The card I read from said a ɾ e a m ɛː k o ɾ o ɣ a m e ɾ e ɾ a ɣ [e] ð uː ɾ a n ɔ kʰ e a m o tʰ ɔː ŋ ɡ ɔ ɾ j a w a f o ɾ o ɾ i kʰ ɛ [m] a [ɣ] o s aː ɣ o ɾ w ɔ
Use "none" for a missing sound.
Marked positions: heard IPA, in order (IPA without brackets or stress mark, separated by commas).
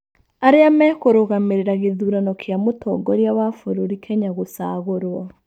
e, ɲ, ɣ